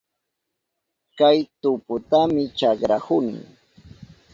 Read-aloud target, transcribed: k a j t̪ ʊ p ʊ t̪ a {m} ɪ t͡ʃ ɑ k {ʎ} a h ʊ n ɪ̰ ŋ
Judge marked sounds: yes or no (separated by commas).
yes, no